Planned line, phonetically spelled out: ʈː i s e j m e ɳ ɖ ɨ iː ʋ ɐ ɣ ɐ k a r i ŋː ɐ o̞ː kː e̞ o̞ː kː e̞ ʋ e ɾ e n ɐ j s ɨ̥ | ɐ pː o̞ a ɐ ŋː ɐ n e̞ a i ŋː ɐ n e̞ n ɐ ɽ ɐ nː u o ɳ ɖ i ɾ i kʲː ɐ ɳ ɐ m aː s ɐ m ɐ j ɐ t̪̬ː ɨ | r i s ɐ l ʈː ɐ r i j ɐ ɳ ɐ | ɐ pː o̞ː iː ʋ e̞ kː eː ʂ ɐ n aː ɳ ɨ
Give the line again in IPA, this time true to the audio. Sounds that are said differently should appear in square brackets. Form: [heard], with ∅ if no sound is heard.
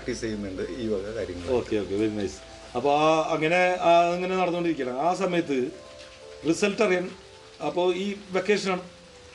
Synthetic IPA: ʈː i s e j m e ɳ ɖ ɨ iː ʋ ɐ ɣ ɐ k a [ɾ] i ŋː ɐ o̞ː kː e̞ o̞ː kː e̞ ʋ e ɾ [i] n ɐ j s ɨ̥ | ɐ pː o̞ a ɐ ŋː ɐ n e̞ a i ŋː ɐ n e̞ n ɐ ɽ ɐ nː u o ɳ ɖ i ɾ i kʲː ɐ ɳ ɐ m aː s ɐ m ɐ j ɐ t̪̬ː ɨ | r i s ɐ l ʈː ɐ r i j ɐ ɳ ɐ | ɐ pː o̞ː iː ʋ e̞ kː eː ʂ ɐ n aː ɳ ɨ